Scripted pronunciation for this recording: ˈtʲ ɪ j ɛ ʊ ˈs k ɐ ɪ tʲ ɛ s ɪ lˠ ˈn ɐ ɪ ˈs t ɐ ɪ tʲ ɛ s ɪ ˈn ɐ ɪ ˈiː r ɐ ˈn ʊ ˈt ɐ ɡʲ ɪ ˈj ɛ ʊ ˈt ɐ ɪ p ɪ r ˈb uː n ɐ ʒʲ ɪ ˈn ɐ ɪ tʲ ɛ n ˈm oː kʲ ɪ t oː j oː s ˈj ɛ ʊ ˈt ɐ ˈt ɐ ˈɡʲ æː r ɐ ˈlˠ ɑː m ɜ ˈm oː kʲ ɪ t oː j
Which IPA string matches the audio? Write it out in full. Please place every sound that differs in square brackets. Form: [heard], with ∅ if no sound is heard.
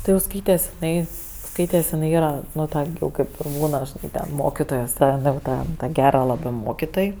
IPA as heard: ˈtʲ ɪ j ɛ ʊ ˈs k ɐ ɪ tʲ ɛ s ɪ [∅] ˈn ɐ ɪ ˈs [k] ɐ ɪ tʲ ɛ s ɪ ˈn ɐ ɪ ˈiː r ɐ ˈn ʊ ˈt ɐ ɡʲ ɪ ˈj ɛ ʊ [ˈk] ɐ ɪ p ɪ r ˈb uː n ɐ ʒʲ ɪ ˈn ɐ ɪ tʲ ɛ n ˈm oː kʲ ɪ t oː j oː s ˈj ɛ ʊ ˈt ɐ ˈt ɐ ˈɡʲ æː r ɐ ˈlˠ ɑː [b] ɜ ˈm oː kʲ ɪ t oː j

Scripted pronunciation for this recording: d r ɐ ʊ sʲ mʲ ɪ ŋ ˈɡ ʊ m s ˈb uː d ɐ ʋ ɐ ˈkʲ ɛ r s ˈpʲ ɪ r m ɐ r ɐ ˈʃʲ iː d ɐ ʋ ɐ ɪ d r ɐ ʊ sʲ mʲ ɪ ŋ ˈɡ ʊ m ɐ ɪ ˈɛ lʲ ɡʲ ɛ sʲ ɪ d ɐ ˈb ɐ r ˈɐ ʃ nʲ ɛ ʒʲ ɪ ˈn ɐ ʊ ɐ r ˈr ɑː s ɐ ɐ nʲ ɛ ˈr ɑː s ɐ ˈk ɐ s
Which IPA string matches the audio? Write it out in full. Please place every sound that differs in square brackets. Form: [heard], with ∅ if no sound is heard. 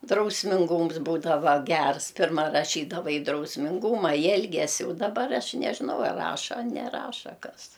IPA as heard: d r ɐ ʊ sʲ mʲ ɪ ŋ ˈɡ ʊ m s ˈb uː d ɐ ʋ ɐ [ˈɡʲ] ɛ r s ˈpʲ ɪ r m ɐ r ɐ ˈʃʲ iː d ɐ ʋ ɐ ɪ d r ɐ ʊ sʲ mʲ ɪ ŋ ˈɡ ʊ m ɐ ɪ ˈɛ lʲ ɡʲ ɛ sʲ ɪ d ɐ ˈb ɐ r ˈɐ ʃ nʲ ɛ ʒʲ ɪ ˈn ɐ ʊ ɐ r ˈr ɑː [ʃ] ɐ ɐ nʲ ɛ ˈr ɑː [ʃ] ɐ ˈk ɐ s

